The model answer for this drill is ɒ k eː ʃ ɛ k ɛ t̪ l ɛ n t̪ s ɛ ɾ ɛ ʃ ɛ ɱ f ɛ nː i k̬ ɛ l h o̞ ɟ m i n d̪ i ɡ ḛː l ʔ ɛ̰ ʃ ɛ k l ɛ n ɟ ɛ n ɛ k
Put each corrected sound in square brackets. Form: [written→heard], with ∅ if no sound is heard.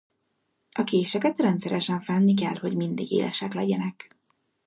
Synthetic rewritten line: ɒ k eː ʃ ɛ k ɛ t̪ [l→r] ɛ n t̪ s ɛ ɾ ɛ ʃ ɛ ɱ f ɛ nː i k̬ ɛ l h o̞ ɟ m i n d̪ i ɡ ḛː l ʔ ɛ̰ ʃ ɛ k l ɛ [n→∅] ɟ ɛ n ɛ k